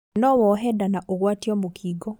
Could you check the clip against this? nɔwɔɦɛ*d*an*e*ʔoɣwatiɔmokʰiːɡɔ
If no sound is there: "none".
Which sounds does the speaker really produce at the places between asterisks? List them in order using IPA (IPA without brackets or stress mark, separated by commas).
d, a